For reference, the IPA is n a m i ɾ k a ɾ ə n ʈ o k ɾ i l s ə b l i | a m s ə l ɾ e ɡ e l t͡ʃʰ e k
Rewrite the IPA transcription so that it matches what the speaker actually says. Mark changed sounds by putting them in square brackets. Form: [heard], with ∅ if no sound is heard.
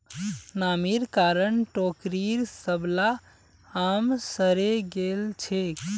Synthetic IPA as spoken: n a m i ɾ k a ɾ ə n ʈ o k ɾ i [ɾ] s ə b l [a] | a m s ə [∅] ɾ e ɡ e l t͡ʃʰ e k